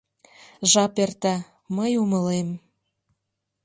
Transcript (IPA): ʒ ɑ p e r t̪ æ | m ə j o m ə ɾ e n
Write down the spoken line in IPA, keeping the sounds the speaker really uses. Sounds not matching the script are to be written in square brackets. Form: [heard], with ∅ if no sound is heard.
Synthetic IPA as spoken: ʒ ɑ p e r t̪ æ | m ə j [u] m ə [l] e [m]